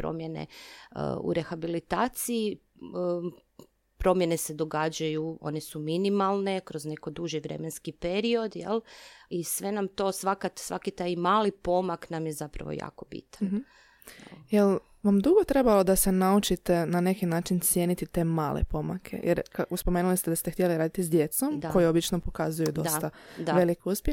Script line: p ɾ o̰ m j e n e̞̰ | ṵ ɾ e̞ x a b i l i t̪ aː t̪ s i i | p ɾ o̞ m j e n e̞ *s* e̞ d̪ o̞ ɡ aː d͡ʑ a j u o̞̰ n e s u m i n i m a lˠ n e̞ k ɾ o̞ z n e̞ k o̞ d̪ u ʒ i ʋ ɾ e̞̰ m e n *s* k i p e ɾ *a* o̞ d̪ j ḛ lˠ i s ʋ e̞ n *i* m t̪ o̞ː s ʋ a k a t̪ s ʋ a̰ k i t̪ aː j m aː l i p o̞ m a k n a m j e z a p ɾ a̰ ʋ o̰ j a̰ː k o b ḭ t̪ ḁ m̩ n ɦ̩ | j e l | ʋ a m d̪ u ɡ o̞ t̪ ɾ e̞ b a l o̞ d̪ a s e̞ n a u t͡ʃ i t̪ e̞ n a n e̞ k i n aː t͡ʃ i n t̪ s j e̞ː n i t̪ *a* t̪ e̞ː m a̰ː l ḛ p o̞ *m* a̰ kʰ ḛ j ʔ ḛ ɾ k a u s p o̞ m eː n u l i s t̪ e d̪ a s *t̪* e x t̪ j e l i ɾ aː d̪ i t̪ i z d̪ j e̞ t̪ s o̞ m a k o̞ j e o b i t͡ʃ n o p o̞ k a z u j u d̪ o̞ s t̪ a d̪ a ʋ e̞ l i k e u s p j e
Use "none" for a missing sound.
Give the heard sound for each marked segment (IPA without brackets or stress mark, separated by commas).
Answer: s, s, i, a, i, m, t̪